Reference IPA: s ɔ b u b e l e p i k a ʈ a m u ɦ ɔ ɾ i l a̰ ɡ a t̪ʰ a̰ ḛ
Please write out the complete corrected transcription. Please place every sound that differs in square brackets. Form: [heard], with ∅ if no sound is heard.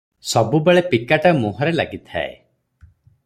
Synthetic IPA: s ɔ b u b e [ɭ] e p i k a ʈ a m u ɦ ɔ ɾ [e] l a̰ ɡ [i] t̪ʰ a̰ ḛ